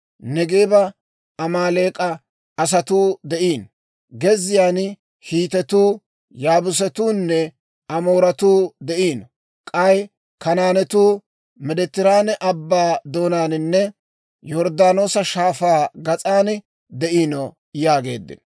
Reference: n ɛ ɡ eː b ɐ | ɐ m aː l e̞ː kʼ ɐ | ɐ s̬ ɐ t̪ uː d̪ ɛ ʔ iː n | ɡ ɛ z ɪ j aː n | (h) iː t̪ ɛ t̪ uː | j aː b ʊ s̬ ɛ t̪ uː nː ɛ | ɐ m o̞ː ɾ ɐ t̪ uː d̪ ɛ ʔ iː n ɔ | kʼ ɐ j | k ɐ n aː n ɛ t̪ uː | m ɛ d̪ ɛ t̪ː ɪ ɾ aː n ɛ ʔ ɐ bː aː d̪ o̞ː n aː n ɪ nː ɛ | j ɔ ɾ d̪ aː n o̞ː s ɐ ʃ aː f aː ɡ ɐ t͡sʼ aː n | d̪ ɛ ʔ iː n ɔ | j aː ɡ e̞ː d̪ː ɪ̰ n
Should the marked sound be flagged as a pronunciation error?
no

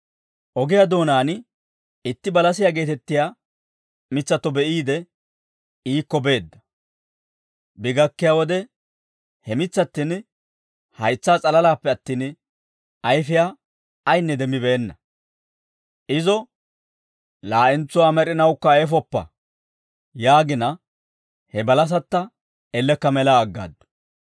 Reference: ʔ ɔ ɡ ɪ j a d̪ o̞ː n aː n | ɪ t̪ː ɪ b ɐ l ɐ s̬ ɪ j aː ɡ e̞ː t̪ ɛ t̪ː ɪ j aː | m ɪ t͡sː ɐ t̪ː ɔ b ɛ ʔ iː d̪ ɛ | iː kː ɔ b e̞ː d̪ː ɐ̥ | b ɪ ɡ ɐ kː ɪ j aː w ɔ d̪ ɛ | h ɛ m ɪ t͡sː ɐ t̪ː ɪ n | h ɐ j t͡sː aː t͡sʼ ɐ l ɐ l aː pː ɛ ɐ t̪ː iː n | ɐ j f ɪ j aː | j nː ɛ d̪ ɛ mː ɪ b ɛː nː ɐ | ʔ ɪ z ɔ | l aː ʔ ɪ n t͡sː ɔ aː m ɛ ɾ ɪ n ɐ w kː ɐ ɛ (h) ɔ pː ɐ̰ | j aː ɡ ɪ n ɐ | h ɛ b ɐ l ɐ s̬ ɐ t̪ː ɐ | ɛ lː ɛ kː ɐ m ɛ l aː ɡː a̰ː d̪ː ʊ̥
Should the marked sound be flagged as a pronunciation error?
yes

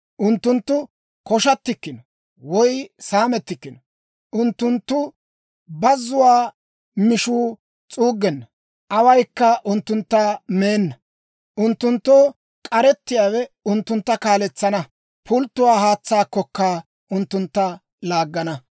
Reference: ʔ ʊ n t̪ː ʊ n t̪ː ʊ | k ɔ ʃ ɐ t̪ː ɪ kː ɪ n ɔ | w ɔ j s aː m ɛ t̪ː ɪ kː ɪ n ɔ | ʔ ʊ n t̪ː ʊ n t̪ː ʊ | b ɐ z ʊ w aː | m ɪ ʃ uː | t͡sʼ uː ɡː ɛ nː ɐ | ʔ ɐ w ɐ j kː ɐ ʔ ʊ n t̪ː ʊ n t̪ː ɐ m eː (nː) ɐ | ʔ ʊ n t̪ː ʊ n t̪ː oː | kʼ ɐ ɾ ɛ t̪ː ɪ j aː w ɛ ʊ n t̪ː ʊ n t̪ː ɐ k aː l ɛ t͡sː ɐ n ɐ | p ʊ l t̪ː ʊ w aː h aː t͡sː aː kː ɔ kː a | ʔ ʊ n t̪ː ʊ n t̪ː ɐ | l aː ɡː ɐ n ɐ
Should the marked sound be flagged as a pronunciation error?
no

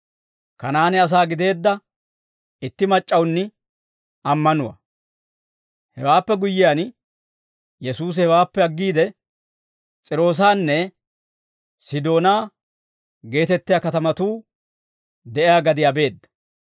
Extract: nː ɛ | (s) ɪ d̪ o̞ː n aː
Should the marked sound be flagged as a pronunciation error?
no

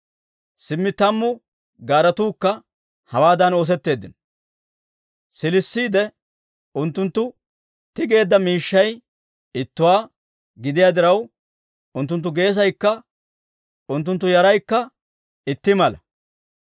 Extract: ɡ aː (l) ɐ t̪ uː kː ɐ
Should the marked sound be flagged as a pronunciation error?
yes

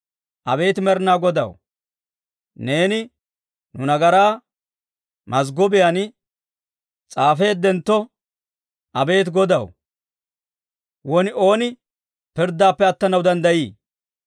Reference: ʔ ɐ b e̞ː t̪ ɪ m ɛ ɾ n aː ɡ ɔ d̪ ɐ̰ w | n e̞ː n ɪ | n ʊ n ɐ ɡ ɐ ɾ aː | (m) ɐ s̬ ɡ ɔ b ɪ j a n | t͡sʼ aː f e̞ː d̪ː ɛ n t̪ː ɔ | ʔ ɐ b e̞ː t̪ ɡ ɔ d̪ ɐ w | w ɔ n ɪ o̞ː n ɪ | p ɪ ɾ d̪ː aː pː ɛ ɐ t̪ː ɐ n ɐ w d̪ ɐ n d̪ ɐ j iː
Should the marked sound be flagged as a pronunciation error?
no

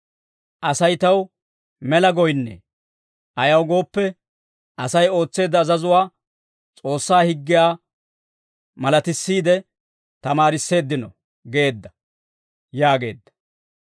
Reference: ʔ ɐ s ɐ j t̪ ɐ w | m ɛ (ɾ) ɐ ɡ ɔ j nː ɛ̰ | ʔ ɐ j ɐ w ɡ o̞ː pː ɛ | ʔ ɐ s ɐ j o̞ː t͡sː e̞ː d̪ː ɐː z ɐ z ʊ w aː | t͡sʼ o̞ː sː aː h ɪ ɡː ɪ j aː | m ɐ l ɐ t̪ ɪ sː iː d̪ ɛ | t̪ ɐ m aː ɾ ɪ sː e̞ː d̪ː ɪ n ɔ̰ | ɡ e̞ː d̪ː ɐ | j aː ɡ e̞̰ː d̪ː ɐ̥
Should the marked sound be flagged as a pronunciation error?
yes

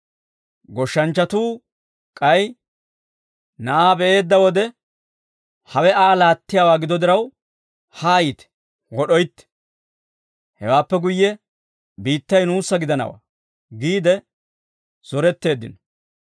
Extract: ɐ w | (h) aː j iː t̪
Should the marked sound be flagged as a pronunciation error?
no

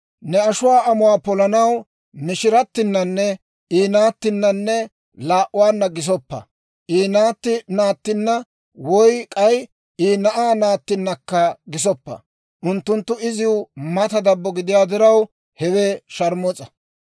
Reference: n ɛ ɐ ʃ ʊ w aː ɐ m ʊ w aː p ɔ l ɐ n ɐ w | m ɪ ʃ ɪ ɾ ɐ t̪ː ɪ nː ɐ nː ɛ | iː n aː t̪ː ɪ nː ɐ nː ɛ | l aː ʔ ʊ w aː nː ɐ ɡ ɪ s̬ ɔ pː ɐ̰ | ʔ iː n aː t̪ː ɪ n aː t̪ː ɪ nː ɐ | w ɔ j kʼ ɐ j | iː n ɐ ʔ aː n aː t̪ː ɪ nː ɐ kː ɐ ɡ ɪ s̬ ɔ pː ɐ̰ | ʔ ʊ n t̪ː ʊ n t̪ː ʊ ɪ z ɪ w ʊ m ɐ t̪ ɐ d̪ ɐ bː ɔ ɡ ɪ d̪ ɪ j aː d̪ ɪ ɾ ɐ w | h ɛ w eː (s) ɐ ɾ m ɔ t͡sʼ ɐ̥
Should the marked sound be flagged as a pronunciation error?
yes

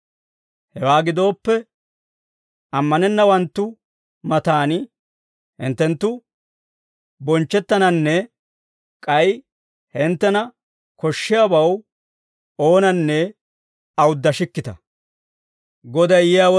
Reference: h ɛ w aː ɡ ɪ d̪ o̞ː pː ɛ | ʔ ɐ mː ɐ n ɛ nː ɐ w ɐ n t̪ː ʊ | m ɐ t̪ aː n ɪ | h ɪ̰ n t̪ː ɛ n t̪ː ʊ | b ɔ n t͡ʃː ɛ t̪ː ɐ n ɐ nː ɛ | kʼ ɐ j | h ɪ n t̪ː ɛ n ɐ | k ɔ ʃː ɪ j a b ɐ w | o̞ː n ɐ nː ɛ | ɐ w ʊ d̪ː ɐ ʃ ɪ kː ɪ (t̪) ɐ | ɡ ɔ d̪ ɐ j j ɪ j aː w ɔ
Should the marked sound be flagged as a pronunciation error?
no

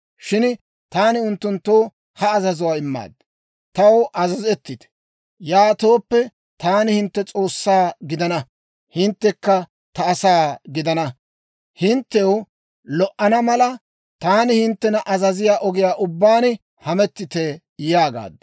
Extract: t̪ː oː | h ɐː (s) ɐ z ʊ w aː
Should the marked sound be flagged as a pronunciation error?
yes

